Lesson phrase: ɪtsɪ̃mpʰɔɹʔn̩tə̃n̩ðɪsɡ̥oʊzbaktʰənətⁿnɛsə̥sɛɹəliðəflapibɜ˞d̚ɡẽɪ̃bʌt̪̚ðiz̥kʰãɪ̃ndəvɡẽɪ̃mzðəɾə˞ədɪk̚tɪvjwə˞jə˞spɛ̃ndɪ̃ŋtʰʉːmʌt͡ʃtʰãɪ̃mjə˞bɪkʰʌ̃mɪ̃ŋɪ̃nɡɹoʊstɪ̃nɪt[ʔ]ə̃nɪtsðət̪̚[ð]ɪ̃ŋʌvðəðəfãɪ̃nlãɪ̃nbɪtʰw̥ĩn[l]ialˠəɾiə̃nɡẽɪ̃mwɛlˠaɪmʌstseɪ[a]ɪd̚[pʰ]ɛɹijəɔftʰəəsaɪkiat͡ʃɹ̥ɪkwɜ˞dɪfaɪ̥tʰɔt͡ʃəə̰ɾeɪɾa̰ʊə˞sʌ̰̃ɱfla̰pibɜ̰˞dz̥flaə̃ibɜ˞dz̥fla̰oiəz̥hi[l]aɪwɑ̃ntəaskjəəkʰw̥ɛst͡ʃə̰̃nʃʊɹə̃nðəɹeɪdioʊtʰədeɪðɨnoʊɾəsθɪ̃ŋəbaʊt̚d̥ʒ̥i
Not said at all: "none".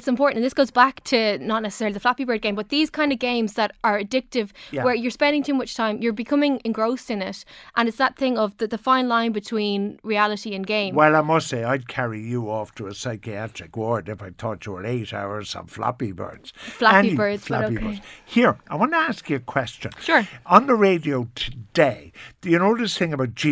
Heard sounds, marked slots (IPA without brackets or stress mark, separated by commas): ʔ, θ, ɹ, a, kʰ, ɹ